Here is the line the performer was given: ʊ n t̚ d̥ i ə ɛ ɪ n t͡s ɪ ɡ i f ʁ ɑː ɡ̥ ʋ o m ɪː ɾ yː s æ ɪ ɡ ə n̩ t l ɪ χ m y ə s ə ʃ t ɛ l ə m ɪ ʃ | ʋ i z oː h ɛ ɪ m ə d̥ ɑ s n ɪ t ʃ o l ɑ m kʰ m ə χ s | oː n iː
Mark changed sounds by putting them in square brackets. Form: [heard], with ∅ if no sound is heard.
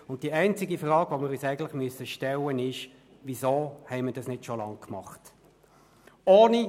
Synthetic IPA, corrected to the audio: ʊ n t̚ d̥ i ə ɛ ɪ n t͡s ɪ ɡ i f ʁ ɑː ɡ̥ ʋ o m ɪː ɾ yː s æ ɪ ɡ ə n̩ t l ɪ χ m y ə s ə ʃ t ɛ l ə [n] ɪ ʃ | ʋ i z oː h ɛ ɪ m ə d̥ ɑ s n ɪ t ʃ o l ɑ [ŋ] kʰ m [ɑ] χ [t] | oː n [i]